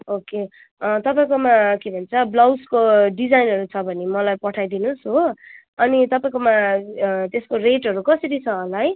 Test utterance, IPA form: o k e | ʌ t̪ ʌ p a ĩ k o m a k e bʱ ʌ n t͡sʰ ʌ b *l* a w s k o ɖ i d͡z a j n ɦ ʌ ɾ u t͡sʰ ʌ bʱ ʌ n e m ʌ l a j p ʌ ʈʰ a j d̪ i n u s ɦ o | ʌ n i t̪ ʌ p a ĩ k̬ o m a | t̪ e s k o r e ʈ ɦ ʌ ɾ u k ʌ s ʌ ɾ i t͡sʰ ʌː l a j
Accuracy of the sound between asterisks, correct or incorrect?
correct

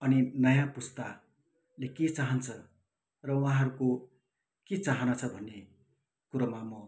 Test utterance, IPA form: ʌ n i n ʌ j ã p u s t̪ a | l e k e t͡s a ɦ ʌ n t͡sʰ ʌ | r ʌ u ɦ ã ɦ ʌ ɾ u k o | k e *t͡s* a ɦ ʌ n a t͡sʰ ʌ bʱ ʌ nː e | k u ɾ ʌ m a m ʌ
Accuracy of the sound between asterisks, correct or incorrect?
correct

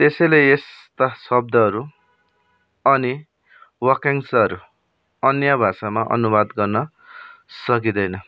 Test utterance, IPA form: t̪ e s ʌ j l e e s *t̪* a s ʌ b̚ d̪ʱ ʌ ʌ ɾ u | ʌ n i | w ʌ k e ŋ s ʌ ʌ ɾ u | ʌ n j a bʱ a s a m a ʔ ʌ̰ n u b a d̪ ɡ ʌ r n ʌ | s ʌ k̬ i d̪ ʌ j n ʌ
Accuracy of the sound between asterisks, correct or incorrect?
correct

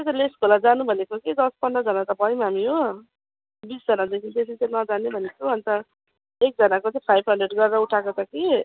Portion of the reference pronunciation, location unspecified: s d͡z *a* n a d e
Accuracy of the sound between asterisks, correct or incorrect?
incorrect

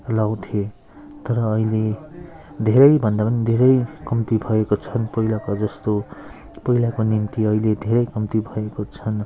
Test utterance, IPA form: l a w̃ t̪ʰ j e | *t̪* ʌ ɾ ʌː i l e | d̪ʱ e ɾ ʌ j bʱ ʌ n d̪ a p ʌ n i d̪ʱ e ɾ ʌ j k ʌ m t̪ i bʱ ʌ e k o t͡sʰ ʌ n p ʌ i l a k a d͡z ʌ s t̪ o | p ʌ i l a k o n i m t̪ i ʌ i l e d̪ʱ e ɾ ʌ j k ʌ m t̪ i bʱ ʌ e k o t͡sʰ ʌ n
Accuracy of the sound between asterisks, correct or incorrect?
correct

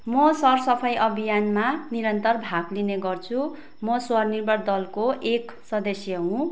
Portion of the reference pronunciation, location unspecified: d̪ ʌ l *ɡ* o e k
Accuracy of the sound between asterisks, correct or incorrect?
incorrect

